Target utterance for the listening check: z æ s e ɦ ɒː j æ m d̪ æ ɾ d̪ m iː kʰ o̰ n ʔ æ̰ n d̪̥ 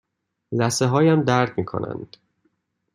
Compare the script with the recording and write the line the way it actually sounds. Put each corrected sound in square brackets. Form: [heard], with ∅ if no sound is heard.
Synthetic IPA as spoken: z æ s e ɦ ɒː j æ m d̪ æ ɾ d̪ m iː kʰ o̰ n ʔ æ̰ n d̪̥